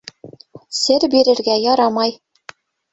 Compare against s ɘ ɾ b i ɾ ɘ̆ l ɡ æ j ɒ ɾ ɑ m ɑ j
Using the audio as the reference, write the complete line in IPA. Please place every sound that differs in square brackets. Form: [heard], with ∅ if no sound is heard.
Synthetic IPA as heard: s ɘ ɾ b i ɾ ɘ̆ [ɾ] ɡ æ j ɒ ɾ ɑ m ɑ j